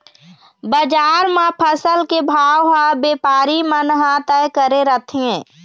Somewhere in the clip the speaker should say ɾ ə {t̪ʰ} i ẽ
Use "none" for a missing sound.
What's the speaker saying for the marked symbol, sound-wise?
t̪ʰ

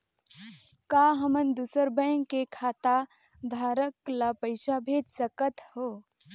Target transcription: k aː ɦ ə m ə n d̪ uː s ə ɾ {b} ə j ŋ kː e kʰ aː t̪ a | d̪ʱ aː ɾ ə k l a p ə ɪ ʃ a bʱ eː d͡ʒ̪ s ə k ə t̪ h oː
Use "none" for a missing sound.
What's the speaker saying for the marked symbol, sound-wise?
b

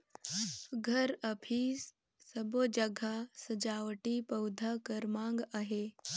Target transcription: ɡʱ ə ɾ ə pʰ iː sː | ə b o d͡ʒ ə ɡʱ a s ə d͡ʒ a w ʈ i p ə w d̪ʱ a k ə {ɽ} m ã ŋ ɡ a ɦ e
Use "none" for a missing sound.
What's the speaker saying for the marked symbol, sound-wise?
ɾ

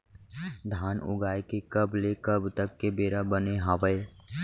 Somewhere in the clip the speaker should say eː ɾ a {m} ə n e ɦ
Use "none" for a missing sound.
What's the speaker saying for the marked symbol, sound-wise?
b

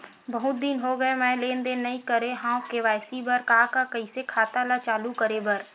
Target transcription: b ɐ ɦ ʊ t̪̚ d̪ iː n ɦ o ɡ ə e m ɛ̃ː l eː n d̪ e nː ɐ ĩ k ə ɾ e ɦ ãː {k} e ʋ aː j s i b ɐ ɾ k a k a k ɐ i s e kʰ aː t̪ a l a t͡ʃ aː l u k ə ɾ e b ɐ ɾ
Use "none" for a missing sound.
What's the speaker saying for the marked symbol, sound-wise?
k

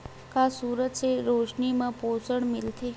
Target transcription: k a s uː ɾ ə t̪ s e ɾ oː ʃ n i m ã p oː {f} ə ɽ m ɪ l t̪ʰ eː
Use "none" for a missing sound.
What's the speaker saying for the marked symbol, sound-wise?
s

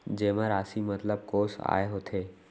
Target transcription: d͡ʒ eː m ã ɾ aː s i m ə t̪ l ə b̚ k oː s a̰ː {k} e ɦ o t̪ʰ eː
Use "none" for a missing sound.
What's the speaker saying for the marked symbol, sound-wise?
none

